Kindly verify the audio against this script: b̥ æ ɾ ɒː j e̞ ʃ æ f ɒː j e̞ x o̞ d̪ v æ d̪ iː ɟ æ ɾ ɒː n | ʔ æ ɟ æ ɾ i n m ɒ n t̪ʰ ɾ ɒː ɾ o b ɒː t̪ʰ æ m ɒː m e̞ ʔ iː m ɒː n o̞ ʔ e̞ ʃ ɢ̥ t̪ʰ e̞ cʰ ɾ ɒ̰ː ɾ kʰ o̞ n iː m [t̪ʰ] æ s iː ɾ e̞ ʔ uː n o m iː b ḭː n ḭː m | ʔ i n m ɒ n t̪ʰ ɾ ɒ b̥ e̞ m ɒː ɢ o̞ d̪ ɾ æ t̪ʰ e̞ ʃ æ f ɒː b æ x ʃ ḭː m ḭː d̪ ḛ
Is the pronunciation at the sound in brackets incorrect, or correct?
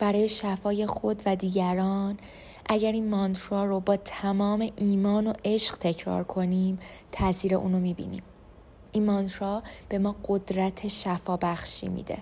correct